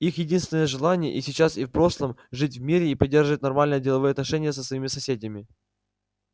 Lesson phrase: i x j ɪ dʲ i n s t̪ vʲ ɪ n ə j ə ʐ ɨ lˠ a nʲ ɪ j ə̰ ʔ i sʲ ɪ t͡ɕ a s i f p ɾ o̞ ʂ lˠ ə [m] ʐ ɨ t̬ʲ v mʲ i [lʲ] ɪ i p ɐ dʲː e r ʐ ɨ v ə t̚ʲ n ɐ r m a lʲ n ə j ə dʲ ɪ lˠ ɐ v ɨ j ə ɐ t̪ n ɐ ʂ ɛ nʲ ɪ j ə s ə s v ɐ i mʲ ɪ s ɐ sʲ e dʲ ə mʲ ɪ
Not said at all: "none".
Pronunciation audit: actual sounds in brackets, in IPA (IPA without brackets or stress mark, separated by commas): m, ɾʲ